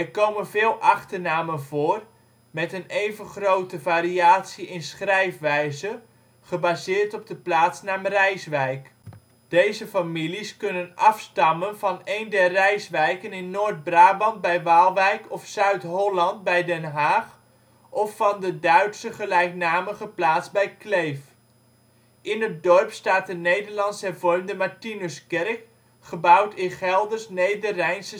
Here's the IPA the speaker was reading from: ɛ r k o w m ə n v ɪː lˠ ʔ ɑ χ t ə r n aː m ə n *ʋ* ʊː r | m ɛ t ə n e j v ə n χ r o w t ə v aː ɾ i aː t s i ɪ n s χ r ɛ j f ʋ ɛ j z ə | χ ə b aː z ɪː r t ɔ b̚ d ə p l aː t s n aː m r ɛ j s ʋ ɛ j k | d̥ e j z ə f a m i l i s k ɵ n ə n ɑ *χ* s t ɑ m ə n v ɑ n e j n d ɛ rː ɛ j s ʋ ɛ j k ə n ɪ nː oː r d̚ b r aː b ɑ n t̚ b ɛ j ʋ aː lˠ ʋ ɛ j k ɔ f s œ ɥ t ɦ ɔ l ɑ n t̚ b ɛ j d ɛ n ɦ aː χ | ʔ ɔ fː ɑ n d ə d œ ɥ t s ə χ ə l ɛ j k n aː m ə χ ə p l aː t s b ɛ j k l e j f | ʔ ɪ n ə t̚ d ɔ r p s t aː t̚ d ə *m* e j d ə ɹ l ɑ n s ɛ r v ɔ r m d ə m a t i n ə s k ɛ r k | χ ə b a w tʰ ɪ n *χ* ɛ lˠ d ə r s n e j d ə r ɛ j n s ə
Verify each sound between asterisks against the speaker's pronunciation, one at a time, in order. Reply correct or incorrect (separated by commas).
incorrect, incorrect, incorrect, correct